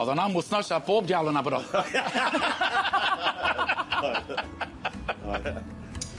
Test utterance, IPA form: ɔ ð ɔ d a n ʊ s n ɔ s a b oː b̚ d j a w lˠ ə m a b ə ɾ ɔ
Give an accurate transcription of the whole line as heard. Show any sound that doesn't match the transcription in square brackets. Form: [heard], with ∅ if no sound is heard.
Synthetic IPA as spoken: ɔ ð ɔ [n] a [m] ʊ [θ] n ɔ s a b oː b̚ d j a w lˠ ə [n] a b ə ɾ ɔ